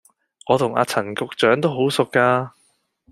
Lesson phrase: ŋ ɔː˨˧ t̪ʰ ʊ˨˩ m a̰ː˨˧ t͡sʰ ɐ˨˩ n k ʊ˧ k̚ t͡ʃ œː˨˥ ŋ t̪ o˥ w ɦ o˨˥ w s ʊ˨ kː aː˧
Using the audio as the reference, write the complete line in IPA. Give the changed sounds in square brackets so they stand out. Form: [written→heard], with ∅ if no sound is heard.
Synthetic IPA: ŋ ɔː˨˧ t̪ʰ ʊ˨˩ [m→ŋ] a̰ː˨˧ t͡sʰ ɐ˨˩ n k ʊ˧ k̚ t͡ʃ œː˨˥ ŋ t̪ o˥ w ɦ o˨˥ w s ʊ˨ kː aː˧

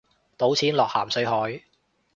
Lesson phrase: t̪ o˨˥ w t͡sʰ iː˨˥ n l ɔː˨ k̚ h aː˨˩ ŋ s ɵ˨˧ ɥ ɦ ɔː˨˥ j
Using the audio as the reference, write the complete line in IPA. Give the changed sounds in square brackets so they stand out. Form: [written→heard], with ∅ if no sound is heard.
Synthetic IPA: t̪ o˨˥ w t͡sʰ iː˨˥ n l ɔː˨ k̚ h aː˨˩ [ŋ→m] s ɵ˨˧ ɥ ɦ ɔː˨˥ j

